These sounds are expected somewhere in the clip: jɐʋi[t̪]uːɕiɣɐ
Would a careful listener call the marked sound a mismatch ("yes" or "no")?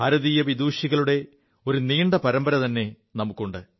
yes